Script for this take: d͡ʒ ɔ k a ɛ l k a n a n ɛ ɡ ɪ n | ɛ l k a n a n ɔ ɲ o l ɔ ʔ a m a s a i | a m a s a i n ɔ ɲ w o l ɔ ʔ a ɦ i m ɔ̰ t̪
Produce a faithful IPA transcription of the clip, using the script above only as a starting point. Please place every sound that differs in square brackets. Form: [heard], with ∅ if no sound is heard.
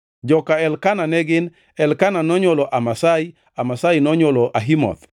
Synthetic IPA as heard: d͡ʒ ɔ k a ɛ l k a n a n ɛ ɡ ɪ n | ɛ l k a n a n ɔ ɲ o l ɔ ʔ a m a s a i | a m a s a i n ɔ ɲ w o l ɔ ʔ a ɦ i m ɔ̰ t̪